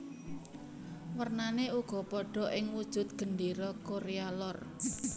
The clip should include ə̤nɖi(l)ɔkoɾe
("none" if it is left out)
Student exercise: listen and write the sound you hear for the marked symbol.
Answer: ɾ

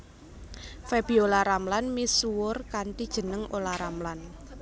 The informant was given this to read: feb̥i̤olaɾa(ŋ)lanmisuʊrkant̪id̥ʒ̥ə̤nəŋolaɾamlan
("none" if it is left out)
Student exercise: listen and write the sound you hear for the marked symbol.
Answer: m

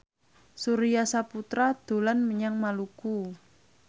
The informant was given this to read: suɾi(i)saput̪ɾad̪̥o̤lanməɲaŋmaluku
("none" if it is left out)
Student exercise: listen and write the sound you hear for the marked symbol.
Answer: a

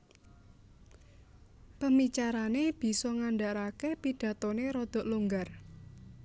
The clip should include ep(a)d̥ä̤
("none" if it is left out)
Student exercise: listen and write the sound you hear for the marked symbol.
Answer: i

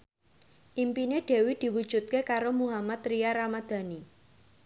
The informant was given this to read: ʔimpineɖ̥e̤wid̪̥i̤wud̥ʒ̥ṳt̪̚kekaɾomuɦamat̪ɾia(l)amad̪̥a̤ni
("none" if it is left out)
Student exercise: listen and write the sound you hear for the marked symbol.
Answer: ɾ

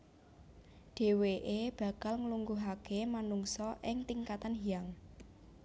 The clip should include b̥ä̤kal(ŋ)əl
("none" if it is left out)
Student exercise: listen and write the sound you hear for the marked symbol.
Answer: ŋ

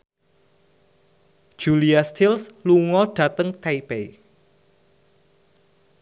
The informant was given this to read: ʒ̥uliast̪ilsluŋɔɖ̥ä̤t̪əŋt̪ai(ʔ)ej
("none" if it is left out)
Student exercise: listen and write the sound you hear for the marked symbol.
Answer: p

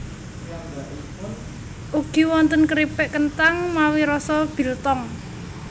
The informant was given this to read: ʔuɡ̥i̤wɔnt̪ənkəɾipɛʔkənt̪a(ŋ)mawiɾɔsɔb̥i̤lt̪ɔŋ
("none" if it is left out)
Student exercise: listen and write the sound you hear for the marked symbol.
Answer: ŋ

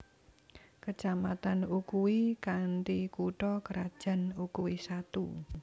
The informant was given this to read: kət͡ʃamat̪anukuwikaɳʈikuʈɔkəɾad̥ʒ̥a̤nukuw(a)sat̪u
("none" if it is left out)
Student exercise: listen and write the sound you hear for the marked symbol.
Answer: i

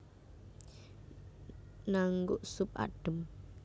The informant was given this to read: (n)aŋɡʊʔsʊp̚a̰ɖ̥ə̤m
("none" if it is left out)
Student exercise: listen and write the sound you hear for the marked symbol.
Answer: n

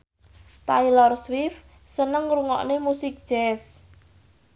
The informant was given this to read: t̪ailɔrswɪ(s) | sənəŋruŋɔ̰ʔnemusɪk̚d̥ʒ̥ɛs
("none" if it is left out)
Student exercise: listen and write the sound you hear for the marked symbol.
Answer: f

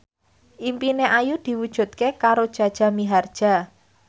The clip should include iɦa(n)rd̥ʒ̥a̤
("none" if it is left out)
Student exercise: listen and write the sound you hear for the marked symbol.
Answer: none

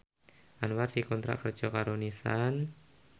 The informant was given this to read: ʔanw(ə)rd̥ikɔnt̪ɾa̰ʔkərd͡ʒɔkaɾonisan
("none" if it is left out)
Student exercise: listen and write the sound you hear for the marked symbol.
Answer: a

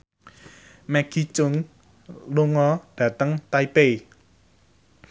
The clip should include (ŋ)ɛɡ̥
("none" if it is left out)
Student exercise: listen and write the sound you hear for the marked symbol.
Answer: m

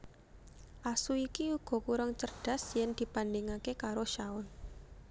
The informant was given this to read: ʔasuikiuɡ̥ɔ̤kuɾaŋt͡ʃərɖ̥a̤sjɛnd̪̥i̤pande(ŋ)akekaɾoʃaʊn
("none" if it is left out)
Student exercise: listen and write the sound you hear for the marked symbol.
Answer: ŋ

